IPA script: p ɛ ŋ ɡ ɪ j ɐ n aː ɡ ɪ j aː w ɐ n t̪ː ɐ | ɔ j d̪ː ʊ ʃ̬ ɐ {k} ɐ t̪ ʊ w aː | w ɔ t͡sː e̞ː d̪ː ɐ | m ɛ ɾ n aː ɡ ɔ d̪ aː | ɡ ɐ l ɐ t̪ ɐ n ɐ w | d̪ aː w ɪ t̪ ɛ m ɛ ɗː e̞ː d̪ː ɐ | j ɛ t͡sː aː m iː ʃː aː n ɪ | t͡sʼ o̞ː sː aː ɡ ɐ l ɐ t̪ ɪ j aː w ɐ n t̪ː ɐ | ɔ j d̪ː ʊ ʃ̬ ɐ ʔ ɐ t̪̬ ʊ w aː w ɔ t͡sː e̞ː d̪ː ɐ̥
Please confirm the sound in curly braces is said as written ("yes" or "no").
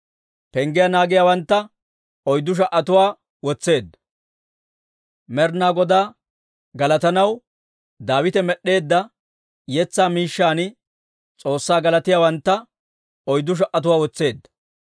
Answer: no